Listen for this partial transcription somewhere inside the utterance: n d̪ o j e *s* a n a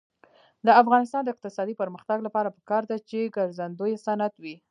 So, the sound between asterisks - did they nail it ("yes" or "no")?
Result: yes